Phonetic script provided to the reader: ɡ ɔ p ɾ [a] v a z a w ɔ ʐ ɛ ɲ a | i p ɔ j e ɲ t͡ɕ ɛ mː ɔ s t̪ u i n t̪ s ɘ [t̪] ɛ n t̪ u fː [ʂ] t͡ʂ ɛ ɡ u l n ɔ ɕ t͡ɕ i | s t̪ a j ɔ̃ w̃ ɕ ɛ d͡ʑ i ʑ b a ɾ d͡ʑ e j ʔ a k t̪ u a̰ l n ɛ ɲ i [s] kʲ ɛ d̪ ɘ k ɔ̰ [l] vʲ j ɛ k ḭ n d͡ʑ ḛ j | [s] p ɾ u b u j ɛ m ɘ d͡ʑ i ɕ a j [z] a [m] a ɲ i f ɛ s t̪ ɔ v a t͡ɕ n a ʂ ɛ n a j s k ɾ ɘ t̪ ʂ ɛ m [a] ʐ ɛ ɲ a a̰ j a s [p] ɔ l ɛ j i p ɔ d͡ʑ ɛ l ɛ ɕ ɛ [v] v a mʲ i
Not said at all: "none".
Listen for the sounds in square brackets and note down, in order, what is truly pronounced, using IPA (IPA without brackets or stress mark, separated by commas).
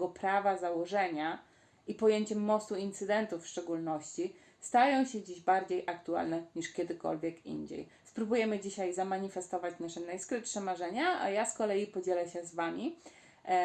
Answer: a, d̪, ʂ, ʂ, l, s, z, m, a, k, z